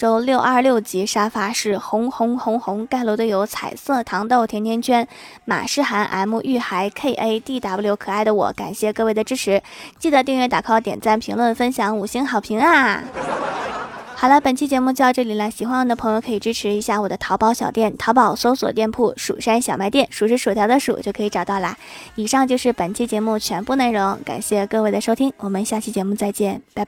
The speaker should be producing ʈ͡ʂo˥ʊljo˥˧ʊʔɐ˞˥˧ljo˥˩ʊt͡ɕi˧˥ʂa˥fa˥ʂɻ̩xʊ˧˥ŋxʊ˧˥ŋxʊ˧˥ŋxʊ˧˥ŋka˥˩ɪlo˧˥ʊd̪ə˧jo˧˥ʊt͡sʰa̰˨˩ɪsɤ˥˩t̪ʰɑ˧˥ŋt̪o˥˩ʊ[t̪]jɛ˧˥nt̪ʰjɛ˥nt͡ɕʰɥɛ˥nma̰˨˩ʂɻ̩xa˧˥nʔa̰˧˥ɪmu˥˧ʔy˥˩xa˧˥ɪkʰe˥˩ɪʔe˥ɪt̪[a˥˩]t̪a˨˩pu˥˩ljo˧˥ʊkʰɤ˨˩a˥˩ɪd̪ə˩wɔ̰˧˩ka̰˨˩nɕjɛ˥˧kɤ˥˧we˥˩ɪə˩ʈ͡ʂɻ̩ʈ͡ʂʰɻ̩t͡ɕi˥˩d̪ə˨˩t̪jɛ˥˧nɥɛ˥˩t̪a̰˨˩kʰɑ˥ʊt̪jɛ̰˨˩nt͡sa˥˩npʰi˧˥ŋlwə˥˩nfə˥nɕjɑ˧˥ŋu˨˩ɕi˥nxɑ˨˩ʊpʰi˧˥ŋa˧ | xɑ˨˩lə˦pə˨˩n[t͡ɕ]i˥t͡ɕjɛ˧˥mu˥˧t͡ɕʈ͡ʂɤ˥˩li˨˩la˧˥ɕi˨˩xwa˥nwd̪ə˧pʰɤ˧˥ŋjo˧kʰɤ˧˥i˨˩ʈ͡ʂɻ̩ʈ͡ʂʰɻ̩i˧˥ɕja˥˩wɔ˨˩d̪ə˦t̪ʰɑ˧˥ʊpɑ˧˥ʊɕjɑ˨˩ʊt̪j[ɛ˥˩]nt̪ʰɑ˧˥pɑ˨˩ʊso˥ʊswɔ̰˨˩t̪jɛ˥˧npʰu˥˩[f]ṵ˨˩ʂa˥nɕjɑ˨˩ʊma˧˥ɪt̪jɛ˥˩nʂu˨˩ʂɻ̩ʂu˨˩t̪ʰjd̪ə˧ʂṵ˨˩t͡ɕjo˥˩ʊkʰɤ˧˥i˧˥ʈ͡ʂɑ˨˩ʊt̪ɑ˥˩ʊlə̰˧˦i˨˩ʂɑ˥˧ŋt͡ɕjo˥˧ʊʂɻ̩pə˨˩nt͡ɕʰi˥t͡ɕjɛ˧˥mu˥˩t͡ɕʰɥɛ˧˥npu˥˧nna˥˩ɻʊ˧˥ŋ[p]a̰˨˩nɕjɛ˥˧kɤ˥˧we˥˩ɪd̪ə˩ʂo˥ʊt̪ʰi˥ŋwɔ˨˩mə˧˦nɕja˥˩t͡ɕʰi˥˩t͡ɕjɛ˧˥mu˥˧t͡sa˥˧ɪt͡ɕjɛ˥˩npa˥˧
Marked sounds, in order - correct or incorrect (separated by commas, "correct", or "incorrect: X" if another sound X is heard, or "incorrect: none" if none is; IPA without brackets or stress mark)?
incorrect: t̪ʰ, incorrect: i˥˩, incorrect: t͡ɕʰ, correct, incorrect: ʂ, incorrect: k